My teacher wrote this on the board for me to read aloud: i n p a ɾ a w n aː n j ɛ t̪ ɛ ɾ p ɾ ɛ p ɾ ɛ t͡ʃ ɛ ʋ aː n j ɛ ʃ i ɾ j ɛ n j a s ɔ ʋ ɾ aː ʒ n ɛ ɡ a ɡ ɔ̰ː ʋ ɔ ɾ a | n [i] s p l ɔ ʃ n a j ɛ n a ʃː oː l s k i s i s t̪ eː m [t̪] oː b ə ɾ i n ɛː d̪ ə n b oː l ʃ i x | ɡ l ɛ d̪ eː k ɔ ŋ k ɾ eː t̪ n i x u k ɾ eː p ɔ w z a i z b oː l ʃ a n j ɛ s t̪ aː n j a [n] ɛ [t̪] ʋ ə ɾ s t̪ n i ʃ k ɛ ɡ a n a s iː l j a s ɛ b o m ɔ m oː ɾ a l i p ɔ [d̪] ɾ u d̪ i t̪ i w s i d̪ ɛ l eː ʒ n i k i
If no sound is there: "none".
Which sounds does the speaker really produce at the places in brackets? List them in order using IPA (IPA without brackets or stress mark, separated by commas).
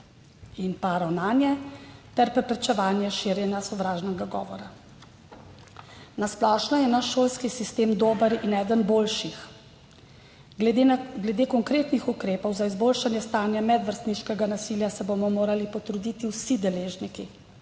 a, d̪, m, d̪, t̪